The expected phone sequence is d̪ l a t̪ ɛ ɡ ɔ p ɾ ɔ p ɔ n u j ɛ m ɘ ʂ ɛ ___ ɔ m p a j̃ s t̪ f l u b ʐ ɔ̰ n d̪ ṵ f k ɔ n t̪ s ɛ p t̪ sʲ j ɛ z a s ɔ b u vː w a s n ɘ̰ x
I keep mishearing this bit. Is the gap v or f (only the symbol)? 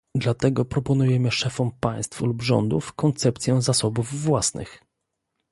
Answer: f